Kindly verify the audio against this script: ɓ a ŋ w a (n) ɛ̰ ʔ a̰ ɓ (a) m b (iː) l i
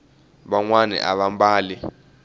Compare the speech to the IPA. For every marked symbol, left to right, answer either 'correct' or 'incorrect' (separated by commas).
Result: correct, correct, incorrect